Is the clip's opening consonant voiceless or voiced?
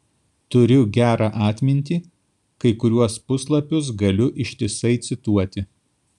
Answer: voiceless